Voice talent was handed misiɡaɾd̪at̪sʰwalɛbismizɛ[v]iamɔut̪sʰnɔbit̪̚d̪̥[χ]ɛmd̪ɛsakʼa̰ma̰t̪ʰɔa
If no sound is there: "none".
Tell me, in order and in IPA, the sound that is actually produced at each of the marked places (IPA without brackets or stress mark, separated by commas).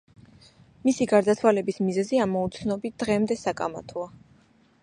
z, ʁ